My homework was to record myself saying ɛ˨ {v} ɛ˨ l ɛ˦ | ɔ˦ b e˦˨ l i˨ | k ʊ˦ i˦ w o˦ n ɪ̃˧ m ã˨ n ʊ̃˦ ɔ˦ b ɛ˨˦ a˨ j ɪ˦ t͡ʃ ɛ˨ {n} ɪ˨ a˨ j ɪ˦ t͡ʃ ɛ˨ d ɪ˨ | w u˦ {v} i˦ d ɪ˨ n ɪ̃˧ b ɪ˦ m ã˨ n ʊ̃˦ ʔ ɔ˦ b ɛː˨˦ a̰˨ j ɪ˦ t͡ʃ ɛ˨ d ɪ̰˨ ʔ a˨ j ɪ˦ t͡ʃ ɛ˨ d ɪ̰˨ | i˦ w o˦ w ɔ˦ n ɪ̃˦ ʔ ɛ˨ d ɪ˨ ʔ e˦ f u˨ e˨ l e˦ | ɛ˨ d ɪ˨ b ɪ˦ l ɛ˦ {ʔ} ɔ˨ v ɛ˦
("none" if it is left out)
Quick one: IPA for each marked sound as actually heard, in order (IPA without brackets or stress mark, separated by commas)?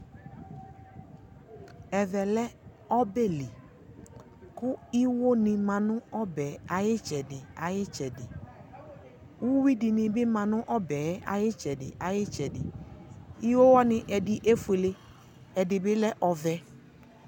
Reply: v, d, w, ʔ